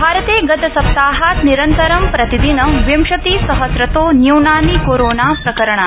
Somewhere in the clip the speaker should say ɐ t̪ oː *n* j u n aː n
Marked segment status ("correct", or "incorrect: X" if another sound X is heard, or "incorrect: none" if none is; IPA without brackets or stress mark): correct